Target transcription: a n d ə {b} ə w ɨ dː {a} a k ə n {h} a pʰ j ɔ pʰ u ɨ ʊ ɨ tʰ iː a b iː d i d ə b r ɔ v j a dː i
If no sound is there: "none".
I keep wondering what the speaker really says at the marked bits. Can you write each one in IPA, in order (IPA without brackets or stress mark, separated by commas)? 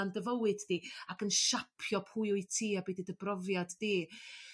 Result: v, i, ʃ